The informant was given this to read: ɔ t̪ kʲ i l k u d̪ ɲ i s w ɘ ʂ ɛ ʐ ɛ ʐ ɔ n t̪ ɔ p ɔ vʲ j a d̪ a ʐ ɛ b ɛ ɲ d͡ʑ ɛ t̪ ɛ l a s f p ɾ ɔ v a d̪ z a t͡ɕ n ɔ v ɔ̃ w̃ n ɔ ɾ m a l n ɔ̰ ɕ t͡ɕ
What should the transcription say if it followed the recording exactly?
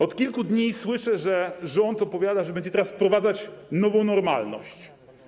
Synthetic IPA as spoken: ɔ t̪ kʲ i l k u d̪ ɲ i s w ɘ ʂ ɛ ʐ ɛ ʐ ɔ n t̪ ɔ p ɔ vʲ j a d̪ a ʐ ɛ b ɛ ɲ d͡ʑ ɛ t̪ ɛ ɾ a s f p ɾ ɔ v a d̪ z a t͡ɕ n ɔ v ɔ̃ w̃ n ɔ ɾ m a l n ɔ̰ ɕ t͡ɕ